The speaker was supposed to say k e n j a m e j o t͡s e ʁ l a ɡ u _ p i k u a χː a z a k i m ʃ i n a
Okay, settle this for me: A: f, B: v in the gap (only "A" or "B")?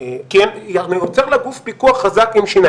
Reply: A